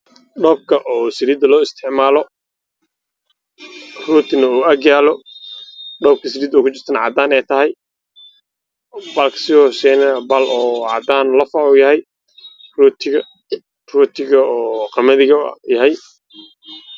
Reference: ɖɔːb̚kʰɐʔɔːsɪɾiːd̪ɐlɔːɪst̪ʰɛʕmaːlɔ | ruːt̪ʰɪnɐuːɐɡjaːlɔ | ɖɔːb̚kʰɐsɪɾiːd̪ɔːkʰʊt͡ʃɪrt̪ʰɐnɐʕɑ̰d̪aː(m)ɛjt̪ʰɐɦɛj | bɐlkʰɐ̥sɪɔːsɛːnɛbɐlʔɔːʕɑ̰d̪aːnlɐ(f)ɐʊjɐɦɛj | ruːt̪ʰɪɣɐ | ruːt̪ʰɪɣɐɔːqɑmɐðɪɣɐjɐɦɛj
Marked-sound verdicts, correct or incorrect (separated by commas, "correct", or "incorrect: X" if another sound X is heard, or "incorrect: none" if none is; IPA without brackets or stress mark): incorrect: n, correct